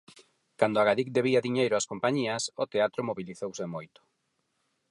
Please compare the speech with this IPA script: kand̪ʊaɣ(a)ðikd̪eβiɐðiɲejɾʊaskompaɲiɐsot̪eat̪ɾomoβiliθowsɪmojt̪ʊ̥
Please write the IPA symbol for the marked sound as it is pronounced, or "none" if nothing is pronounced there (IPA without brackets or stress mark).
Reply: a